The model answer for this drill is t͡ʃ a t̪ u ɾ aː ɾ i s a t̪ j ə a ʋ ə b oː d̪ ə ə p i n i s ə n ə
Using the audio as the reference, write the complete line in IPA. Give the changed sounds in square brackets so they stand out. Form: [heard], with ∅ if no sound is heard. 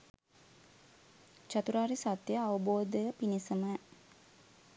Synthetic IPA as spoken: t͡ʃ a t̪ u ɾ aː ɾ i s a t̪ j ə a ʋ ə b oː d̪ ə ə p i n i s ə [m] ə